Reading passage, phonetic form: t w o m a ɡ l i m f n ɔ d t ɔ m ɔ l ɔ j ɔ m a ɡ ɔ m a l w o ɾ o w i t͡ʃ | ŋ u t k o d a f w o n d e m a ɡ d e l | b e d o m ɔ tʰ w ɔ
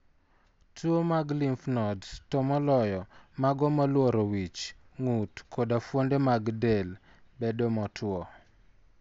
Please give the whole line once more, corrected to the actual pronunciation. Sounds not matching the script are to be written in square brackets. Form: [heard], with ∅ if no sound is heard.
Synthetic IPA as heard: t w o m a ɡ l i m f n ɔ d t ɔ m ɔ l ɔ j ɔ m a ɡ ɔ m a l w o ɾ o w i t͡ʃ | ŋ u t k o d a f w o n d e m a ɡ d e l | b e d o m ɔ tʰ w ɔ